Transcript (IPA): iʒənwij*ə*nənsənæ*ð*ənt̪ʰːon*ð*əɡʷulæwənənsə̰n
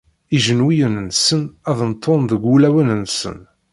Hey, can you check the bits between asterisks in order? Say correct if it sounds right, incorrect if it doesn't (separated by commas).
correct, correct, correct